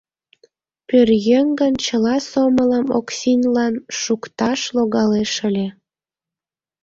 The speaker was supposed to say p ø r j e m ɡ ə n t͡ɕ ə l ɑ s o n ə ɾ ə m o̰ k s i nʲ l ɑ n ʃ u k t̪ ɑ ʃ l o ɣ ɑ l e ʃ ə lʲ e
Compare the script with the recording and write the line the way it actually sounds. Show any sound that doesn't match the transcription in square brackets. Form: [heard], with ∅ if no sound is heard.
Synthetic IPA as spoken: p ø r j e [ŋ] ɡ ə n t͡ɕ ə l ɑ s o [m] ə [l] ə m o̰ k s i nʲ l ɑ n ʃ u k t̪ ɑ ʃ l o ɣ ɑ l e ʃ ə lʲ e